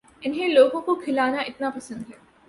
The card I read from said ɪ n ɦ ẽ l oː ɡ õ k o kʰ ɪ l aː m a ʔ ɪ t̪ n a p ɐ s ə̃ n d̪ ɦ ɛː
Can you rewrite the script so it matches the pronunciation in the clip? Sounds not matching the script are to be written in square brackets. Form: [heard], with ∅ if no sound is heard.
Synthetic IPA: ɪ n ɦ ẽ l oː ɡ õ k o kʰ ɪ l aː [n] a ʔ ɪ t̪ n a p ɐ s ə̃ n d̪ ɦ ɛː